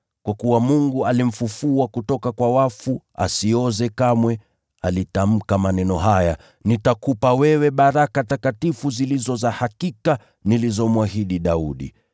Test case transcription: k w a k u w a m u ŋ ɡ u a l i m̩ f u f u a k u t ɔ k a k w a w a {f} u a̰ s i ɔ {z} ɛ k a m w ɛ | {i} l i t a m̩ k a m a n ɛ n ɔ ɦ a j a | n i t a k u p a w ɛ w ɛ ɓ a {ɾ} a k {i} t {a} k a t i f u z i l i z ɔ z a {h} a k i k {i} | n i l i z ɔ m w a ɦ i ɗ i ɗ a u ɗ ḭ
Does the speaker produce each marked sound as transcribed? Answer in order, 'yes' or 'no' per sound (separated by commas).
yes, yes, no, yes, no, yes, yes, no